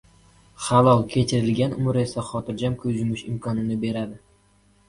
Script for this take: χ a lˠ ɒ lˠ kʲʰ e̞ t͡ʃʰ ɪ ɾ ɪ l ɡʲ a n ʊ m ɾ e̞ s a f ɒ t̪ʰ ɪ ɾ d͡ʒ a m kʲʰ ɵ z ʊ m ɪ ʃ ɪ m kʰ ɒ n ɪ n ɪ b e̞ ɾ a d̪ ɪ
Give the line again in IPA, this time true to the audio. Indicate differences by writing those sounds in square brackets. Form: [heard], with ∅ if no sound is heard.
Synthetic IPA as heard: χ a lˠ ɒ lˠ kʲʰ e̞ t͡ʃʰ ɪ ɾ ɪ l ɡʲ a n ʊ m ɾ e̞ s a [χ] ɒ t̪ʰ ɪ ɾ d͡ʒ a m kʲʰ ɵ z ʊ m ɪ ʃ ɪ m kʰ ɒ n ɪ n ɪ b e̞ ɾ a d̪ ɪ